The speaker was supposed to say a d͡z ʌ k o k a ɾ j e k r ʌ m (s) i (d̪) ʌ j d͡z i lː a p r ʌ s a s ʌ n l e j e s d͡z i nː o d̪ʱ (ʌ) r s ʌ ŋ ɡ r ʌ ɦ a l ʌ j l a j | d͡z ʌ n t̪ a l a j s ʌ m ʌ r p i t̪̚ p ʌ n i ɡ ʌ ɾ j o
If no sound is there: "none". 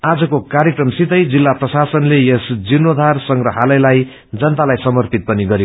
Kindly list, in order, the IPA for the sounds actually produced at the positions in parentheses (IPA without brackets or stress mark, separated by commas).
s, t̪, a